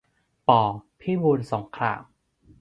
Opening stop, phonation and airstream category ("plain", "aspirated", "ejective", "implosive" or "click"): plain